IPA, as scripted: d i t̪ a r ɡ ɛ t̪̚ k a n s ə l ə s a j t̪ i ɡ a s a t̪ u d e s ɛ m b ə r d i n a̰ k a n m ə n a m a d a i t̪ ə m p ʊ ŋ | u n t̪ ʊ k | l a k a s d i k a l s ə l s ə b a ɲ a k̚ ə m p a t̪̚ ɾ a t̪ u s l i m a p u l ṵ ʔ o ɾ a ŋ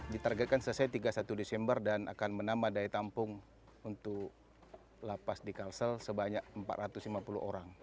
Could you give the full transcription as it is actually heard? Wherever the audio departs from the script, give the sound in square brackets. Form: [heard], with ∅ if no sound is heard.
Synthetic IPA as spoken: d i t̪ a r ɡ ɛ t̪̚ k a n s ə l ə s a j t̪ i ɡ a s a t̪ u d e s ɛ m b ə r d [a] n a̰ k a n m ə n a m a d a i t̪ [a] m p ʊ ŋ | u n t̪ ʊ k | l a [p] a s d i k a l s ə l s ə b a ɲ a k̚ ə m p a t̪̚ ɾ a t̪ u s l i m a p u l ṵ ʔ o ɾ a ŋ